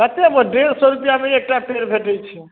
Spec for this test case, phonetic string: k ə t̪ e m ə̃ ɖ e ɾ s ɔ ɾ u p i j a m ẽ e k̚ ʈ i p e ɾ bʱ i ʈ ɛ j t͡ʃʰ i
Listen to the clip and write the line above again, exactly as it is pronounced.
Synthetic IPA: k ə t̪ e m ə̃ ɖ e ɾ s ɔ ɾ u p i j a m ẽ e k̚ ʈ a p e ɾ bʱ e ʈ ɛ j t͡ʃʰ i

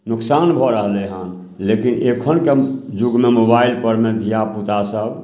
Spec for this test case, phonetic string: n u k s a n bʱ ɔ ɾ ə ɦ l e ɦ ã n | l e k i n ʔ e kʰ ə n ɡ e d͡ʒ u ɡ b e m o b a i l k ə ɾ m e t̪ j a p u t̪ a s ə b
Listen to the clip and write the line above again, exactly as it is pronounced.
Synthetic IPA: n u k s a n bʱ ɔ ɾ ə ɦ l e ɦ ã n | l e k i n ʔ e kʰ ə n k e d͡ʒ u ɡ m e m o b a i l p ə ɾ m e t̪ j a p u t̪ a s ə b

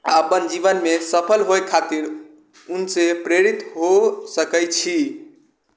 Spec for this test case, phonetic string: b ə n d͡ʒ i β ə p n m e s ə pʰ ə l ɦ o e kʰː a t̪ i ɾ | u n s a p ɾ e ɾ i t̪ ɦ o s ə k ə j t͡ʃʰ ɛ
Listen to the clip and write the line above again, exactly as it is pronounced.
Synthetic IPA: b ə n d͡ʒ i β ə n m e s ə pʰ ə l ɦ o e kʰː a t̪ i ɾ | u n s e p ɾ e ɾ i t̪ ɦ o s ə k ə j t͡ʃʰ i

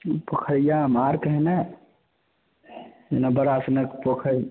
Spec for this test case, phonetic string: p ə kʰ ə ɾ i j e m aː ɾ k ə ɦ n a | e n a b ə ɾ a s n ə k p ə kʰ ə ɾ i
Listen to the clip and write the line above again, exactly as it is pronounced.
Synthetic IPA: p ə kʰ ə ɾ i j a m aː ɾ k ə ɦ n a | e n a b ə ɾ a s n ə k p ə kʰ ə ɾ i

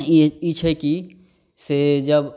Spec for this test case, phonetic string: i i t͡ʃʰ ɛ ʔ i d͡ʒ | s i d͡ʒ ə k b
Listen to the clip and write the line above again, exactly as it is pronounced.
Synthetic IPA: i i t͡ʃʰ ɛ k i | s e d͡ʒ ə b

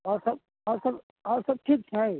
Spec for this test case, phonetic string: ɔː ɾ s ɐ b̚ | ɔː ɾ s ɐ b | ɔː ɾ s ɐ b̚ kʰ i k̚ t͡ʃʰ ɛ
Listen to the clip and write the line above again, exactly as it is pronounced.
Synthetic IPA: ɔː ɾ s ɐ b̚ | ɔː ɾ s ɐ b | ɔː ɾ s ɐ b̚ ʈʰ i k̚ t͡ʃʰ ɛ

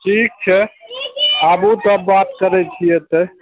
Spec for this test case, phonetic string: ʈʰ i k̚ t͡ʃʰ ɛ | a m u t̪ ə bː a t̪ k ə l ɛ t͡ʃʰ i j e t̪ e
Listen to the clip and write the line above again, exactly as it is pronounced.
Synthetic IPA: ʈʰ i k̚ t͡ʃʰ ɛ | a b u t̪ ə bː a t̪ k ə ɾ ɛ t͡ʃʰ i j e t̪ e

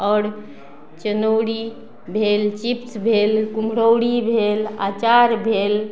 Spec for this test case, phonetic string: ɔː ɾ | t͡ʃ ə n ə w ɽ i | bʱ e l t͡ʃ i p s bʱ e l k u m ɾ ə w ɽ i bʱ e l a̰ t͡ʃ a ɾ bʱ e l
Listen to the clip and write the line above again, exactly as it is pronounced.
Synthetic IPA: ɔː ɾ | t͡ʃ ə n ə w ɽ i | bʱ e l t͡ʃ i p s bʱ e l k u m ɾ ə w ɽ i bʱ e l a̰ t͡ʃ a ɾ bʱ e l

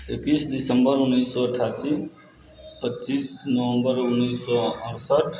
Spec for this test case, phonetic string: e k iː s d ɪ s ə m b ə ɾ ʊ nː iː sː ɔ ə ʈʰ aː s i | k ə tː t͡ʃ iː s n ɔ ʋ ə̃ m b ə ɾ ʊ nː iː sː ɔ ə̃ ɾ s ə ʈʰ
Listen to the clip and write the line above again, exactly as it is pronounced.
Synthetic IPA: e k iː s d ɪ s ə m b ə ɾ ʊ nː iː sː ɔ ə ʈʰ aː s i | p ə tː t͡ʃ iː s n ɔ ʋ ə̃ m b ə ɾ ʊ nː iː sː ɔ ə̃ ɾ s ə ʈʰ

